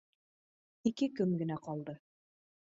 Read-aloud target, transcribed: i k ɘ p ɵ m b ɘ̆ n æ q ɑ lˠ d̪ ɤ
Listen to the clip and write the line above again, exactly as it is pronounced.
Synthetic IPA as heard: i k ɘ k ɵ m ɡ ɘ̆ n æ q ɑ lˠ d̪ ɤ